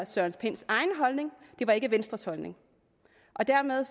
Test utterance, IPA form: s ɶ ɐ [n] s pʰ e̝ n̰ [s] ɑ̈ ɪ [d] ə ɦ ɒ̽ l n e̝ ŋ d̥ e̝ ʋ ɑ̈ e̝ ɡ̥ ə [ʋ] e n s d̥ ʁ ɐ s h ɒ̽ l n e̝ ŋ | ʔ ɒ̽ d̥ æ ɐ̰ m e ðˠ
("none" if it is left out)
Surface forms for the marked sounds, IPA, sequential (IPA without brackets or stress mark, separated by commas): n, s, n, ʋ